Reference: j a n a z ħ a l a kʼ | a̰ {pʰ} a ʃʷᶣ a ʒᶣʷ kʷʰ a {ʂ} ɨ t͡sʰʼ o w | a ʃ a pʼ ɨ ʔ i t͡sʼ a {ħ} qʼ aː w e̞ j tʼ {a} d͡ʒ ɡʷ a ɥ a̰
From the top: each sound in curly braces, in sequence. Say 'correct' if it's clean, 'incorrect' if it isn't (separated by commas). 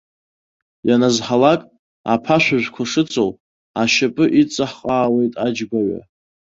correct, correct, correct, correct